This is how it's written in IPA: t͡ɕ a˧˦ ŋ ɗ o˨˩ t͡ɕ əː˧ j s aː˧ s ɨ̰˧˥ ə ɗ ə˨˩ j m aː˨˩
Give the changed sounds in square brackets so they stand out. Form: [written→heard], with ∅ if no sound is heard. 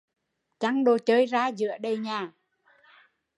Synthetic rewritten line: t͡ɕ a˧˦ ŋ ɗ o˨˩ t͡ɕ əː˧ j [s→z] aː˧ [s→z] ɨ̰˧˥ ə ɗ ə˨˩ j [m→ɲ] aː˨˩